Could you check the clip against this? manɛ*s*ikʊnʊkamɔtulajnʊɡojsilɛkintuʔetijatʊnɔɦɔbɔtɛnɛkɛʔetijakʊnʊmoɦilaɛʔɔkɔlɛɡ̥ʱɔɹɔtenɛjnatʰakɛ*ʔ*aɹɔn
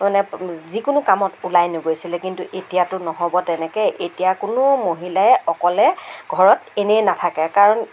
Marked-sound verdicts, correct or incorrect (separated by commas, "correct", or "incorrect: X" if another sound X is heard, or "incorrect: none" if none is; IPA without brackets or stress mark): incorrect: z, incorrect: k